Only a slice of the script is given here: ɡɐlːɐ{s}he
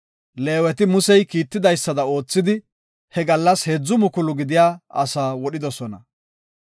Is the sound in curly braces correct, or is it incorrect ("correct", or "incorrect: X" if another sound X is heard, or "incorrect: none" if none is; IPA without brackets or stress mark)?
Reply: correct